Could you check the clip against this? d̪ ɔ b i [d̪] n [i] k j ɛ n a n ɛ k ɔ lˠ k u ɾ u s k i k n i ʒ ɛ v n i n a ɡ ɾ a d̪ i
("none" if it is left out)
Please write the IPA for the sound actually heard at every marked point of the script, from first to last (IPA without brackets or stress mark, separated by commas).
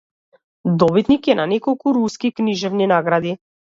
t̪, i